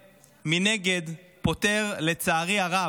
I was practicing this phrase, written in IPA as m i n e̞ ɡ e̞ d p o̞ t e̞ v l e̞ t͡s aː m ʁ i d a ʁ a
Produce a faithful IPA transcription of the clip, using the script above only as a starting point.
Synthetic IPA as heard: m i n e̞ ɡ e̞ d p o̞ t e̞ ʁ l e̞ t͡s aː ʁ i a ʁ a